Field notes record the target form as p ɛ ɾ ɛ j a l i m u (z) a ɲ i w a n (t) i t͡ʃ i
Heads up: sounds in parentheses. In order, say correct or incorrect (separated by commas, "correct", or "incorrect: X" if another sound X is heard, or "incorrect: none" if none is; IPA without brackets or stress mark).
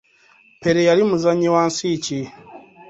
correct, incorrect: s